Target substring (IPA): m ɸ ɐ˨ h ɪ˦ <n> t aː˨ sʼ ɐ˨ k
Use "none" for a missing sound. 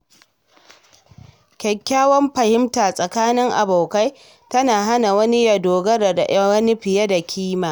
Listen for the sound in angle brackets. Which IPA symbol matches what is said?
m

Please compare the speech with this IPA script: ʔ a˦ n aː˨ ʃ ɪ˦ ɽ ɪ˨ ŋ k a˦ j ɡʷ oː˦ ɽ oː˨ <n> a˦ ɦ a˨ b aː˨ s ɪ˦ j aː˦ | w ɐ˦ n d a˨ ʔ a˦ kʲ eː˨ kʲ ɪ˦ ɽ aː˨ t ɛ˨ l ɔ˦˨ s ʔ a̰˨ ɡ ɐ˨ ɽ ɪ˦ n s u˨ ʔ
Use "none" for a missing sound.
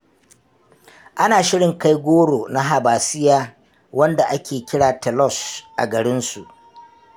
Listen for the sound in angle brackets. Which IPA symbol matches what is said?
n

